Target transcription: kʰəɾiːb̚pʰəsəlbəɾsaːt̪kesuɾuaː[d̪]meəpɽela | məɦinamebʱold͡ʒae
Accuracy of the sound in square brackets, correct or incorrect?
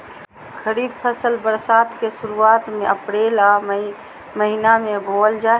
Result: incorrect